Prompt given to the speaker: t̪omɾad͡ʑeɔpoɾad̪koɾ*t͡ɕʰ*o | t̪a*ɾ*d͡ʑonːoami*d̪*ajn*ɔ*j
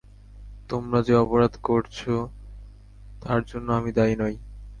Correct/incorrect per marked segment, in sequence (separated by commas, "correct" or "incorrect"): correct, correct, correct, correct